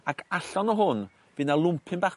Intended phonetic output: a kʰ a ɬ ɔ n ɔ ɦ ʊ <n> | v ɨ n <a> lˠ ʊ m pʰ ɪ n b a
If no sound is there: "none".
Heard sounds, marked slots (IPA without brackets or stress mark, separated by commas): n, a